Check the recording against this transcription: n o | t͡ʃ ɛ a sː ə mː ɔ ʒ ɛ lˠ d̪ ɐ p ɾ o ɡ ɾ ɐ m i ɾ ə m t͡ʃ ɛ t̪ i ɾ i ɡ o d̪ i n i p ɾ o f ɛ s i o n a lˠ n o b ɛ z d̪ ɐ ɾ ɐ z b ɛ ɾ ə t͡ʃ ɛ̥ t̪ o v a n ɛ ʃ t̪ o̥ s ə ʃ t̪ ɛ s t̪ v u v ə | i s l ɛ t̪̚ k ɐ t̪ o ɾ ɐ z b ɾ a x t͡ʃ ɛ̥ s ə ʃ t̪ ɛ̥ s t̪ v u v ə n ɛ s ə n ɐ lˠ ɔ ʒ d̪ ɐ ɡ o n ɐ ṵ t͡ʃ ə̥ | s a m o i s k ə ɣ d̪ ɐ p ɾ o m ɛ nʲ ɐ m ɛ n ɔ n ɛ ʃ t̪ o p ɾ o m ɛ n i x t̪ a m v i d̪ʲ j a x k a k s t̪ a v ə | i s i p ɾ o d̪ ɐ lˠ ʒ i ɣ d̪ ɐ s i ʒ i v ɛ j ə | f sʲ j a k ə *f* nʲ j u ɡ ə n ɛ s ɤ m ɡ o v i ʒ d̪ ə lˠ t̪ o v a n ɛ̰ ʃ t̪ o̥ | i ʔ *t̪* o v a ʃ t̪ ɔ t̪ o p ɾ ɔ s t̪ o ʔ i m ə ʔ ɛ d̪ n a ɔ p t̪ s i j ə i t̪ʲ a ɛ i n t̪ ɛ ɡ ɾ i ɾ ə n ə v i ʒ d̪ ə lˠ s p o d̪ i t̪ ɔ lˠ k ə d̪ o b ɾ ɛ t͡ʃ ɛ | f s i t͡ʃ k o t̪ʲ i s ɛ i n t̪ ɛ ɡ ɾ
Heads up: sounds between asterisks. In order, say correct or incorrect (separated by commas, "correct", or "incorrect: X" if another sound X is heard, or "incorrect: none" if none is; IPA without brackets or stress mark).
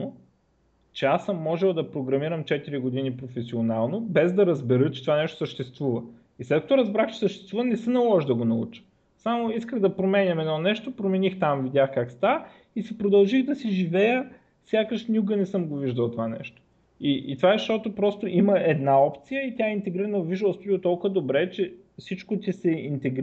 incorrect: ʃ, correct